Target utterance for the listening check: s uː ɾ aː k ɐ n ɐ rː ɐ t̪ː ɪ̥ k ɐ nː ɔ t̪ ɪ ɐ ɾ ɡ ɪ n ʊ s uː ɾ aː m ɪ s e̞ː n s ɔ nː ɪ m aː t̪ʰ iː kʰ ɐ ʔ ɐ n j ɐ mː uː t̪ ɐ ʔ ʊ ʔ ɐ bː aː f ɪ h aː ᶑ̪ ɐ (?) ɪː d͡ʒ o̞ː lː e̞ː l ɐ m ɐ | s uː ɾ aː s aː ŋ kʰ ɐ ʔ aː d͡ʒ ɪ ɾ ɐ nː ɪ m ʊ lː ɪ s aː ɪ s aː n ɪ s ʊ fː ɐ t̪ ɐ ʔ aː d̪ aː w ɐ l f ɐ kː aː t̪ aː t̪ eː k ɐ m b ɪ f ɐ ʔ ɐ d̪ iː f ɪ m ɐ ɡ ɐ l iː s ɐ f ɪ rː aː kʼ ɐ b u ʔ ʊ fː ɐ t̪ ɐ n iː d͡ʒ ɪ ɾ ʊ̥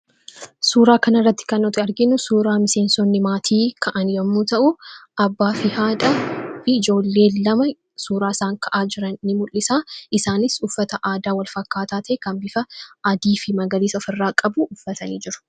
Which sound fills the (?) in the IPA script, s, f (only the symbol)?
f